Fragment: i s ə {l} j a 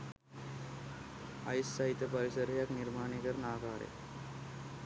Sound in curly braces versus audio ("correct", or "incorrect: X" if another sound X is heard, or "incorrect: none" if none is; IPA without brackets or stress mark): incorrect: ɾ